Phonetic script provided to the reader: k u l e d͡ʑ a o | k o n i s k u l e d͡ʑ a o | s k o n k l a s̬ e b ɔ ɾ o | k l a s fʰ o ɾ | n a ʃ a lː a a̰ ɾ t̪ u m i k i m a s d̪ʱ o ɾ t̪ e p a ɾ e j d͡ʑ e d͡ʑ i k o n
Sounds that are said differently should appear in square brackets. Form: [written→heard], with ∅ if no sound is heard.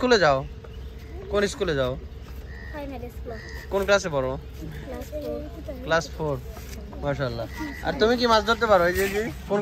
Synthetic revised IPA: k u l e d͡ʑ a o | k o n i s k u l e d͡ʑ a o | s k o n k l a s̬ e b ɔ ɾ o | k l a s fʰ o ɾ | [n→m] a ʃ a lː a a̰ ɾ t̪ u m i k i m a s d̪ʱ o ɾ t̪ e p a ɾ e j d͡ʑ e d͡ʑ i k o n

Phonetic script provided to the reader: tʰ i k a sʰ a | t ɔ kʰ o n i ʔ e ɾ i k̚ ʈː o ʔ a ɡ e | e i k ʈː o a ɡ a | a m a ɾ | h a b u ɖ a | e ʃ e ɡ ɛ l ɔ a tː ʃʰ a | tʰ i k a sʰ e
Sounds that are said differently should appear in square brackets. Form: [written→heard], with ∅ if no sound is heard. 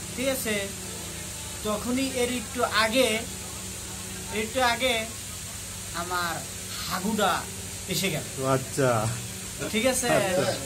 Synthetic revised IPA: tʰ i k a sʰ [a→e] | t ɔ kʰ o n i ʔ e ɾ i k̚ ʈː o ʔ a ɡ e | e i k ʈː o a ɡ [a→e] | a m a ɾ | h a [b→ɡ] u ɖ a | e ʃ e ɡ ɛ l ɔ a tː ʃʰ a | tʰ i k a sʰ e

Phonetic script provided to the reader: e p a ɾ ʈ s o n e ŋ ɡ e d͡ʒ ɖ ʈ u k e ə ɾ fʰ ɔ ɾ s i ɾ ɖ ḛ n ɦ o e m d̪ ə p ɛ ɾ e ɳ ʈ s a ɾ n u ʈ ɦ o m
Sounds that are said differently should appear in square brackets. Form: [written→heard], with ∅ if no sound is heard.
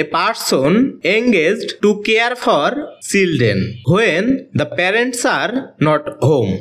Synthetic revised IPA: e p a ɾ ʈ s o n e ŋ ɡ e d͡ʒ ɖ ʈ u k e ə ɾ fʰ ɔ ɾ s i [ɾ→l] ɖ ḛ n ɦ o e [m→n] d̪ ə p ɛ ɾ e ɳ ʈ s a ɾ n [u→ɔ] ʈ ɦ o m

